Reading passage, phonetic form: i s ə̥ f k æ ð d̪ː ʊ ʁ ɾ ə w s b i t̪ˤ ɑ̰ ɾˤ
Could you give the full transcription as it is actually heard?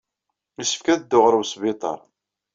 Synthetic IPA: i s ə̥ f k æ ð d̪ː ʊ ʁ ɾ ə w s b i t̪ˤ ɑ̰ ɾˤ